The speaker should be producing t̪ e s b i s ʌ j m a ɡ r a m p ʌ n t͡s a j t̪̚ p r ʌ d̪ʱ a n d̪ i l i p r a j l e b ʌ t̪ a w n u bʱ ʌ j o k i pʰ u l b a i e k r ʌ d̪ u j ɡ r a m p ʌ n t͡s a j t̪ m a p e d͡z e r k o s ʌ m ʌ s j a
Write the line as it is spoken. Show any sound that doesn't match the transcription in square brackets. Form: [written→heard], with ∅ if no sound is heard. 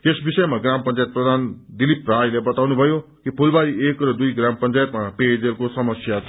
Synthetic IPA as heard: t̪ e s b i s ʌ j m a ɡ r a m p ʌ n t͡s a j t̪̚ p r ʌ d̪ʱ a n d̪ i l i p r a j l e b ʌ t̪ a w n u bʱ ʌ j o k i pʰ u l b a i e k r ʌ d̪ u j ɡ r a m p ʌ n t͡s a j t̪ m a p e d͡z e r k o s ʌ m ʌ s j a